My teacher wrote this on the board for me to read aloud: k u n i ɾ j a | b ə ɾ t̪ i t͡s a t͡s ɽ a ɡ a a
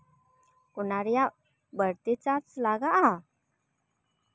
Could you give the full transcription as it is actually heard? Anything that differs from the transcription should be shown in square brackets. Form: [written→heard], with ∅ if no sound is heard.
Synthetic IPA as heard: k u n [i→a] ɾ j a | b ə ɾ t̪ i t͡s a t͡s [ɽ→l] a ɡ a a